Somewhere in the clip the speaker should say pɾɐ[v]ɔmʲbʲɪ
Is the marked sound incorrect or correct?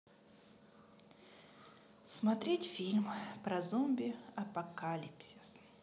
incorrect